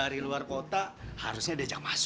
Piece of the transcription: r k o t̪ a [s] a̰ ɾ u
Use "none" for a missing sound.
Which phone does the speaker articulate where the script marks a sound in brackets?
h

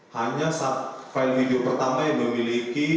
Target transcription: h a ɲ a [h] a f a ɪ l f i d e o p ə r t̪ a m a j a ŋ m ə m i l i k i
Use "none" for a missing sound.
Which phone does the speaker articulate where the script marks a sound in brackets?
s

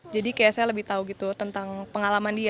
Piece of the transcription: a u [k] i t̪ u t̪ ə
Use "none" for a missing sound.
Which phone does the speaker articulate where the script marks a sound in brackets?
ɡ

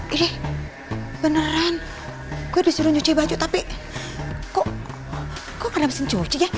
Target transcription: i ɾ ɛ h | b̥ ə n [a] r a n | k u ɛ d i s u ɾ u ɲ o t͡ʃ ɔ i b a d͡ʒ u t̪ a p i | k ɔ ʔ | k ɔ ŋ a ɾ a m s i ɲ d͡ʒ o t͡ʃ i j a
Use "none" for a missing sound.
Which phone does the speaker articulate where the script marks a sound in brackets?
ə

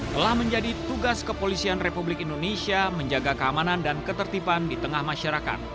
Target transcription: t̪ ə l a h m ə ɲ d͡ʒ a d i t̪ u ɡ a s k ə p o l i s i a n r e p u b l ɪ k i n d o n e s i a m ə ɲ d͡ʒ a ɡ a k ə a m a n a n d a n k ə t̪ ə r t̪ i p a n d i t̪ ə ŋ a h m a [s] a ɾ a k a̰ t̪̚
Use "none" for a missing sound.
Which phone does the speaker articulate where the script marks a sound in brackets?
ʃ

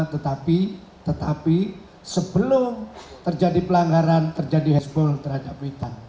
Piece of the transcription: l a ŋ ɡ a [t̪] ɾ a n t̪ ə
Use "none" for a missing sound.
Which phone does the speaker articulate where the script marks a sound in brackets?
none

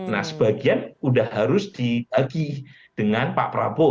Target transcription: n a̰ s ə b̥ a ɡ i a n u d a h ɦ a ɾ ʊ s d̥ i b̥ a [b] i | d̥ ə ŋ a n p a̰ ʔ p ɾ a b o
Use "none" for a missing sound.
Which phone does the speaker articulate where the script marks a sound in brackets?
ɡ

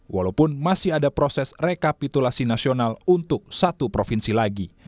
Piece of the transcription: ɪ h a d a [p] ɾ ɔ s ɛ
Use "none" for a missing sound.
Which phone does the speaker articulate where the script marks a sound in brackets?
p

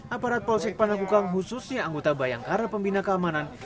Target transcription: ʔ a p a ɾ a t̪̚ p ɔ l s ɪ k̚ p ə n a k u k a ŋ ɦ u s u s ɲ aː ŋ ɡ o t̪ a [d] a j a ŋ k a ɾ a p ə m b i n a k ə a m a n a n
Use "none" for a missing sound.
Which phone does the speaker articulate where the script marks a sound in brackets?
b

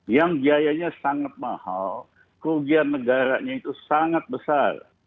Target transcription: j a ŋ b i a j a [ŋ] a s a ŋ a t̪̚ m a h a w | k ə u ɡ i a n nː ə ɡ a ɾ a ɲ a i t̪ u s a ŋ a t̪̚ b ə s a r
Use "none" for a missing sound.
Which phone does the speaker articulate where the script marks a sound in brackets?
ɲ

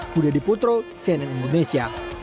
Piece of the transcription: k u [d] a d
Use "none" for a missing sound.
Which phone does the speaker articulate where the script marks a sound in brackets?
d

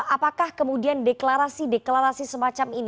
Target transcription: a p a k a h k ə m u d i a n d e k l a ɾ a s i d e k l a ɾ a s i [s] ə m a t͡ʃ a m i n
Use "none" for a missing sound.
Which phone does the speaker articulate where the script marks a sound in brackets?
s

